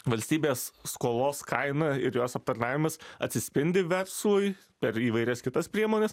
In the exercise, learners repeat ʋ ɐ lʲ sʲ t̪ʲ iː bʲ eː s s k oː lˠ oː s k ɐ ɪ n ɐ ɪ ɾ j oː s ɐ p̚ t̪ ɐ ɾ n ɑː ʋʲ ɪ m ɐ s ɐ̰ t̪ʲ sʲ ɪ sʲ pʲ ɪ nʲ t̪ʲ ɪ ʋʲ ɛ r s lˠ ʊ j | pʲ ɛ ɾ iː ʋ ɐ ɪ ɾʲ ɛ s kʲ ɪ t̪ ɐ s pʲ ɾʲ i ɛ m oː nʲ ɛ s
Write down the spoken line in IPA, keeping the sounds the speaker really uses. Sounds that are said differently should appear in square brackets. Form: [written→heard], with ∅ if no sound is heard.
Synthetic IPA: ʋ ɐ lʲ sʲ t̪ʲ iː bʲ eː s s k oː lˠ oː s k ɐ ɪ n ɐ ɪ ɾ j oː s ɐ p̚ t̪ ɐ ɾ n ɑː ʋʲ ɪ m ɐ s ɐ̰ t̪ʲ sʲ ɪ sʲ pʲ ɪ nʲ [t̪ʲ→d̪ʲ] ɪ ʋʲ ɛ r s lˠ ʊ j | pʲ ɛ ɾ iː ʋ ɐ ɪ ɾʲ ɛ s kʲ ɪ t̪ ɐ s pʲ ɾʲ i ɛ m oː nʲ ɛ s